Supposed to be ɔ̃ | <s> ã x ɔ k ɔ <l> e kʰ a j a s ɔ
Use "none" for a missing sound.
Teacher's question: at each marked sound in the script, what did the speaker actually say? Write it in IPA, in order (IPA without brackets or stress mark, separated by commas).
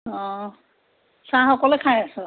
s, l